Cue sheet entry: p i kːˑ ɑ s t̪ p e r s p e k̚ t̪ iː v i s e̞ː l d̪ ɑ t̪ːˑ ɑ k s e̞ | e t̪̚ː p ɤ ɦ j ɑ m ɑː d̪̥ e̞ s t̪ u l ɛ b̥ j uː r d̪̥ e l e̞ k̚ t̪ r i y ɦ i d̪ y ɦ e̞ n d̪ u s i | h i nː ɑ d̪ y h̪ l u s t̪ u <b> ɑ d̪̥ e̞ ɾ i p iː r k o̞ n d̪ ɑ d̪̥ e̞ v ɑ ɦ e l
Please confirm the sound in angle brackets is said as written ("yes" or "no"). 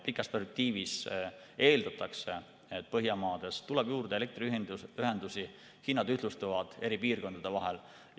no